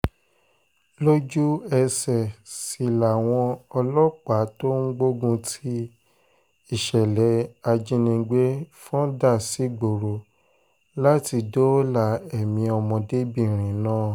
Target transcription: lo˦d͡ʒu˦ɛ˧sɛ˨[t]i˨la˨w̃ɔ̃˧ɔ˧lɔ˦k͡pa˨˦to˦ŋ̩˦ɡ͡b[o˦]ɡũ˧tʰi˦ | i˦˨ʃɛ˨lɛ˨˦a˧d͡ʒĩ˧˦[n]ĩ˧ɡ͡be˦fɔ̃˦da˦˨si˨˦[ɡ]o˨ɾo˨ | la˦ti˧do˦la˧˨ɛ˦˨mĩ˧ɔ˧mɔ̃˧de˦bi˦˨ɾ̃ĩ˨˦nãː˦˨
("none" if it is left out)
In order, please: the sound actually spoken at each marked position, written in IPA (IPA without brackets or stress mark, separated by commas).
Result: s, o˦, n, ɡ͡b